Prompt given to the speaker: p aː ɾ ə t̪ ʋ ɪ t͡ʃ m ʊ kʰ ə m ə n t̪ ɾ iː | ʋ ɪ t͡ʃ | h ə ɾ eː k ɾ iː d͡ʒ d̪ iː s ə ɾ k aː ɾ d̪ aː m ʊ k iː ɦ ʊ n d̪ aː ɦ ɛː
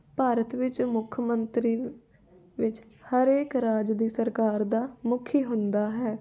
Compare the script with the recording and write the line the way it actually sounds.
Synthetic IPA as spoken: p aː ɾ ə t̪ ʋ ɪ t͡ʃ m ʊ kʰ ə m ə n t̪ ɾ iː | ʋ ɪ t͡ʃ | h ə ɾ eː k ɾ aː d͡ʒ d̪ iː s ə ɾ k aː ɾ d̪ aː m ʊ kʰ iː ɦ ʊ n d̪ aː ɦ ɛː